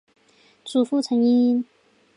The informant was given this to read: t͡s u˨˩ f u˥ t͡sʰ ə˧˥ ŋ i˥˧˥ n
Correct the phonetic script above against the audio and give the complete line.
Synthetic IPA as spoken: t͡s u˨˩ f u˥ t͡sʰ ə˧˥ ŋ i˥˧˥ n